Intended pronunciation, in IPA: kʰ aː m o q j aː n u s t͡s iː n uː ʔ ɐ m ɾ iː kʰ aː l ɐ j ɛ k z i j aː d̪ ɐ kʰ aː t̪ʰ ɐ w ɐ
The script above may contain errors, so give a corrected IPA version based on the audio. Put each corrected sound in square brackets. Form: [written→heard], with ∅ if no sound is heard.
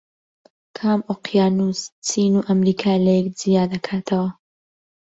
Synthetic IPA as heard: kʰ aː m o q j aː n u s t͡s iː n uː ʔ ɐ m ɾ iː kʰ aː l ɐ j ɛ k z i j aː d̪ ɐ kʰ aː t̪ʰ ɐ w ɐ